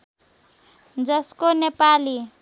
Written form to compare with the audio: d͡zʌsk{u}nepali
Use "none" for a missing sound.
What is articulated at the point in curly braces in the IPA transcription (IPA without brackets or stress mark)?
o